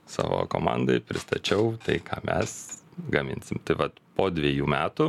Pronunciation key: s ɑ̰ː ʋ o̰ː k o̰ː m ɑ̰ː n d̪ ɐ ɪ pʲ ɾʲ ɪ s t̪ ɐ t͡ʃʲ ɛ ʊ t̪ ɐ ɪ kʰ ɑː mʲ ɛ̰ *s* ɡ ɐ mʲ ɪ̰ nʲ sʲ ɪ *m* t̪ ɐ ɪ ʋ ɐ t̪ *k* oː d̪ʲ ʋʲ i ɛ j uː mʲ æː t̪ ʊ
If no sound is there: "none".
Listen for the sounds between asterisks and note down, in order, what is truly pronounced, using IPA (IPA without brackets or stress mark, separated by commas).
s, m, p